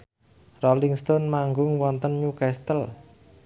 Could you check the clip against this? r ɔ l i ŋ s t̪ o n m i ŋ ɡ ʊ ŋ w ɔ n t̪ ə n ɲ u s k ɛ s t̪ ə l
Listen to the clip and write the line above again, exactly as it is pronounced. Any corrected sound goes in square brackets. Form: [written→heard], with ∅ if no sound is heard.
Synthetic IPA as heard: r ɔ l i ŋ s t̪ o n m [i→a] ŋ ɡ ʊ ŋ w ɔ n t̪ ə n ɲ u [s→∅] k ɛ s t̪ ə l